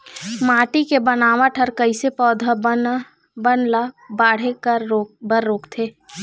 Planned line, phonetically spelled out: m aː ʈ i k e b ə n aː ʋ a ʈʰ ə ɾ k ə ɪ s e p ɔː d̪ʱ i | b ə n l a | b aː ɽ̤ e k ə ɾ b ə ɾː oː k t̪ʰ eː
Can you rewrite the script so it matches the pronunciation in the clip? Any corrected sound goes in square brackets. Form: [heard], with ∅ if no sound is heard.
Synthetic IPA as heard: m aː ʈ i k e b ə n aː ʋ a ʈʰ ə ɾ k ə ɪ s e p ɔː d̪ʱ [a] | b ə n l a | b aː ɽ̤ e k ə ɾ b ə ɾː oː k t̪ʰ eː

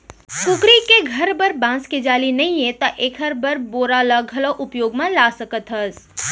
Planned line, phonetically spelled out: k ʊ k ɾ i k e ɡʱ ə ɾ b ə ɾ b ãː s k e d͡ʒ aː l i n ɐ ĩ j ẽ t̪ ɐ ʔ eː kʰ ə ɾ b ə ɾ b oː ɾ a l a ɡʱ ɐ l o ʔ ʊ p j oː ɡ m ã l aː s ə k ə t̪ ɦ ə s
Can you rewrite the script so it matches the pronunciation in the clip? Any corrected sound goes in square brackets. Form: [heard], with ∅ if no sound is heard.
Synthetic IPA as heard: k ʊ k ɾ i k e ɡʱ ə ɾ b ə ɾ b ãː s k e d͡ʒ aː l i n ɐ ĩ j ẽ t̪ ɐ ʔ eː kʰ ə ɾ b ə ɾ b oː ɾ a l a ɡʱ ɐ l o ʔ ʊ p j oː ɡ m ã l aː s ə k ə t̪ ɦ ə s

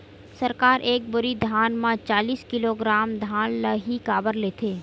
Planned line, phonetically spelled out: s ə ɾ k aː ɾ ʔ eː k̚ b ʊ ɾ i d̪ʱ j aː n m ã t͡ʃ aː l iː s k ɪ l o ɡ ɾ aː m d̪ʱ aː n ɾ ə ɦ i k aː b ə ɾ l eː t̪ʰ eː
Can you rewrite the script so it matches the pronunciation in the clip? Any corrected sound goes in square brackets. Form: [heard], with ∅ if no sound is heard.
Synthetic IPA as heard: s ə ɾ k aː ɾ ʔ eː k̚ b ʊ ɾ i d̪ʱ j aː n m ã t͡ʃ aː l iː s k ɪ l o ɡ ɾ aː m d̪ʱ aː n [l] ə ɦ i k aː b ə ɾ l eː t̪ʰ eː

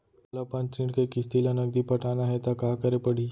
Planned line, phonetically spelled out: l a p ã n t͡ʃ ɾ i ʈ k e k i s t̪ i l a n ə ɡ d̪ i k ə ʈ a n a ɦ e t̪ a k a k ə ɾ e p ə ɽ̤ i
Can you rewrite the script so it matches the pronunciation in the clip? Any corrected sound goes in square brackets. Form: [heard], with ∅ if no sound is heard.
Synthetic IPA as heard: l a p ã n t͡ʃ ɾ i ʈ k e k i s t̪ i l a n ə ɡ d̪ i [p] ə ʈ a n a ɦ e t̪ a k a k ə ɾ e p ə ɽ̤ i

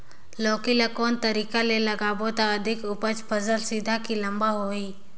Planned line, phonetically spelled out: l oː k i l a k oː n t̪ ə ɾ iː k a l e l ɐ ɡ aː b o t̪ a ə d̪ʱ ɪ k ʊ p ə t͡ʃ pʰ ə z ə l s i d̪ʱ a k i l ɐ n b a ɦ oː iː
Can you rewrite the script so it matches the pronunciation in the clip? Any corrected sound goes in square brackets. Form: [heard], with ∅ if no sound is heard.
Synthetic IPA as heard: l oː k i l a k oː n t̪ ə ɾ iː k a l e l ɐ ɡ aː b o t̪ a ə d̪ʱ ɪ k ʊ p ə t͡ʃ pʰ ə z ə l s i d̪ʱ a k i l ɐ [m] b a ɦ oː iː

